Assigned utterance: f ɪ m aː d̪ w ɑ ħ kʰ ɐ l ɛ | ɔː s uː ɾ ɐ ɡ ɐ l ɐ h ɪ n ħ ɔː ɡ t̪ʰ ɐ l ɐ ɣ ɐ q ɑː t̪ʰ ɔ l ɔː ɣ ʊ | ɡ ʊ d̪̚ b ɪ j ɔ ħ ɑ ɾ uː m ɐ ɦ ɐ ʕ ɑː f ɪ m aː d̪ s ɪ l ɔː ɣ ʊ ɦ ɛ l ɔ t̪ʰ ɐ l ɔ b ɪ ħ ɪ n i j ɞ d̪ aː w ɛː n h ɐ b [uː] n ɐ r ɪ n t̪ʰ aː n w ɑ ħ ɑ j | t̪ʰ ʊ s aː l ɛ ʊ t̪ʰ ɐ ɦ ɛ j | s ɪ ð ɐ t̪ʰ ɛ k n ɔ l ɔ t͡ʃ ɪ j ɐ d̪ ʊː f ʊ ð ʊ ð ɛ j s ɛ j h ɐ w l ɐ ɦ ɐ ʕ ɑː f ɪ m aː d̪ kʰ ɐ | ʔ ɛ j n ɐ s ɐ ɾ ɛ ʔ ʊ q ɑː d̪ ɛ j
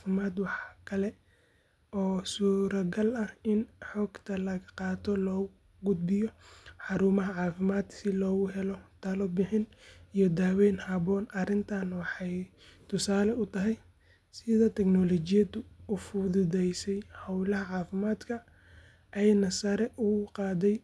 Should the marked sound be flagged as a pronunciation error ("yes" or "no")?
yes